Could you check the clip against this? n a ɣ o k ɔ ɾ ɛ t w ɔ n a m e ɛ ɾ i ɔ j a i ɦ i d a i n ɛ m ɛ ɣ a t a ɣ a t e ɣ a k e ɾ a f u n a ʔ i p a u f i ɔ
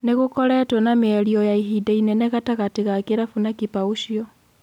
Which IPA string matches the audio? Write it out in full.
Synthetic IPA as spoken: n e ɣ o k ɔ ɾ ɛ t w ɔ n a m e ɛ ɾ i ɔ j a i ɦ i d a i n ɛ n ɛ ɣ a t a ɣ a t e ɣ a k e ɾ a f u n a k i p a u ʃ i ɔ